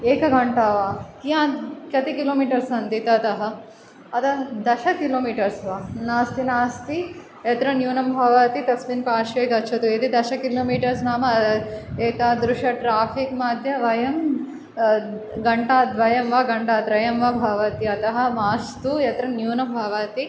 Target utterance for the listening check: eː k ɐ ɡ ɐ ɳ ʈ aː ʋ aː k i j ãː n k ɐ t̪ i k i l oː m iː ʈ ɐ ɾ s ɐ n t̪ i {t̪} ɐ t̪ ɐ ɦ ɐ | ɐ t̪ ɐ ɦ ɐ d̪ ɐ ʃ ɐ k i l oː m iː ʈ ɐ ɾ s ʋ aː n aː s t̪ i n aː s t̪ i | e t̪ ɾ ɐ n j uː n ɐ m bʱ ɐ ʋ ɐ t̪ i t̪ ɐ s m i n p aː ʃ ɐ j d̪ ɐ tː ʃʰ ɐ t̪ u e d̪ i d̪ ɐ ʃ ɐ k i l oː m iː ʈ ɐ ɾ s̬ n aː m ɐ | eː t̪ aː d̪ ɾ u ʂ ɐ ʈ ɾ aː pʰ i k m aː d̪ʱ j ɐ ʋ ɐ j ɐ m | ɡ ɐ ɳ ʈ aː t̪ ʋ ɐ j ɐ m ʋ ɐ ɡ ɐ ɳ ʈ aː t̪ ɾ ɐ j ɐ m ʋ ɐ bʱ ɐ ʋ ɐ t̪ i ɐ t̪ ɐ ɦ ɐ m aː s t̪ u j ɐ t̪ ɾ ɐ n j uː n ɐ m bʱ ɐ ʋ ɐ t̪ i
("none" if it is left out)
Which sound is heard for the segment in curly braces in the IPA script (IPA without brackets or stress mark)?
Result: t̪